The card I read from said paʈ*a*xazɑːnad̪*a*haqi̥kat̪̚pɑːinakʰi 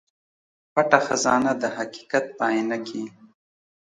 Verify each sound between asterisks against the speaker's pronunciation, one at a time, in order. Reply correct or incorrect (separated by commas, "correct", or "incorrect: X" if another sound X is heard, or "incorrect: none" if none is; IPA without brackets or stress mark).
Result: correct, incorrect: ə